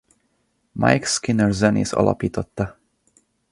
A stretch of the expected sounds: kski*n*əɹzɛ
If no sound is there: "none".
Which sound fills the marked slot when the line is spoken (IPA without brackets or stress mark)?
n